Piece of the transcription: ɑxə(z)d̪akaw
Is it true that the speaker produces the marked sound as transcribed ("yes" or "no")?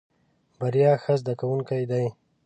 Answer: yes